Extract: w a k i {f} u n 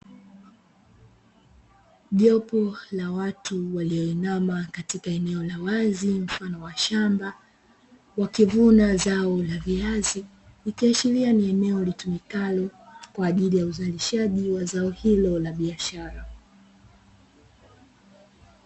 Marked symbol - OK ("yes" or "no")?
no